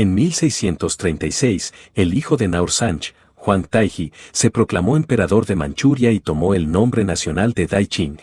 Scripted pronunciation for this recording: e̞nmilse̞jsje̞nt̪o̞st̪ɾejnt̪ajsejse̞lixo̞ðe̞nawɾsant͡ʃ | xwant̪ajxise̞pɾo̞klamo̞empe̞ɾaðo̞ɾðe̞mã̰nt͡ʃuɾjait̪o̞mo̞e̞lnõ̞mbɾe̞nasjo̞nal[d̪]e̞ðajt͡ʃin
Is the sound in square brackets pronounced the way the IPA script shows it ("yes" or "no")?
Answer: yes